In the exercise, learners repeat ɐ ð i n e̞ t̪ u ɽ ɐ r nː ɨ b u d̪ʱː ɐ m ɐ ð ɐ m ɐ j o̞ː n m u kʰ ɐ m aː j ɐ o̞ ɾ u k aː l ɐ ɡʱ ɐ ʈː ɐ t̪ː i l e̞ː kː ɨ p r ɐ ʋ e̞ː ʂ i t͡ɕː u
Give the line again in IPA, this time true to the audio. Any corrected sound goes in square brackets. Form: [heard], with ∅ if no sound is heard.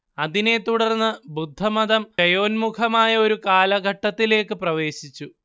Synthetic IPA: ɐ ð i n e̞ t̪ u ɽ ɐ r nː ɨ b u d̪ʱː ɐ m ɐ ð ɐ m ɐ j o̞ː n m u kʰ ɐ m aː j ɐ o̞ ɾ u k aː l ɐ ɡʱ ɐ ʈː ɐ t̪ː i l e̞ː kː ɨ p r ɐ ʋ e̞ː [ɕ] i t͡ɕː u